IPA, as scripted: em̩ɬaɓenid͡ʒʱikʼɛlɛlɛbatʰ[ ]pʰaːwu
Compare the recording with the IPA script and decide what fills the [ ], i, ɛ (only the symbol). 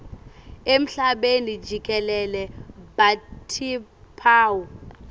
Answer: i